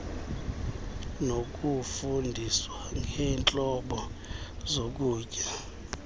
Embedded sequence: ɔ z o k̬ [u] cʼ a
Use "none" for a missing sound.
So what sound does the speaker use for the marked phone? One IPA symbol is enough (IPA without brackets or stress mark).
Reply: uː